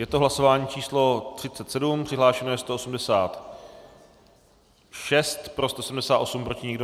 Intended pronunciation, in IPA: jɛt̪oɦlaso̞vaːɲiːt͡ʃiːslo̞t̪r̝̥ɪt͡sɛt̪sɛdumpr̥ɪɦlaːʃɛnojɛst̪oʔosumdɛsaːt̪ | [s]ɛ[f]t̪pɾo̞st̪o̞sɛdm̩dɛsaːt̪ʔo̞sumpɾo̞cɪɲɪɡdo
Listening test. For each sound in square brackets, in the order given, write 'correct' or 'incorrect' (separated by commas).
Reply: incorrect, incorrect